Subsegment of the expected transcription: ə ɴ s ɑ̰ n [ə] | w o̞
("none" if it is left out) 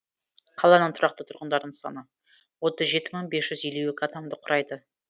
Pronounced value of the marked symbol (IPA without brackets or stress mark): ə